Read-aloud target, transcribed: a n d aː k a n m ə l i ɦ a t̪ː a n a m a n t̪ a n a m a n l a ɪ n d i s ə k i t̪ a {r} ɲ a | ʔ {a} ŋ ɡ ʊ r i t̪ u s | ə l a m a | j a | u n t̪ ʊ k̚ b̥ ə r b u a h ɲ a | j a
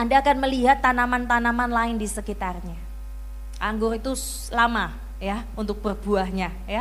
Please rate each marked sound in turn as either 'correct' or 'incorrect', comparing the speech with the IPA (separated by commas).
correct, correct